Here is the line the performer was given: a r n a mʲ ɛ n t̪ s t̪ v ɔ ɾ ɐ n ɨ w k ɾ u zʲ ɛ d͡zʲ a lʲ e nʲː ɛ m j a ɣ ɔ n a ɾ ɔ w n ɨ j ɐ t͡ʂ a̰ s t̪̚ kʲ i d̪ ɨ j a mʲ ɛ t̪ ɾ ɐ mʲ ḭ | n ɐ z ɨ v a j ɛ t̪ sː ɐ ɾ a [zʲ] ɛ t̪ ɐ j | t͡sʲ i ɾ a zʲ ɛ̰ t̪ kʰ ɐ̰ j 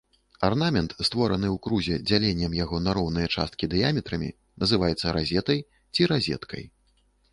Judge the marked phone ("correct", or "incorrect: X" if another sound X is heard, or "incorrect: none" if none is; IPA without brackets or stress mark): correct